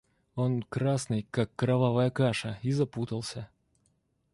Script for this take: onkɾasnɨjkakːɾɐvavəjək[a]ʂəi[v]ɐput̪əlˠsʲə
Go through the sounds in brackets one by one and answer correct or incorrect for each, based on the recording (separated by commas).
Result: correct, incorrect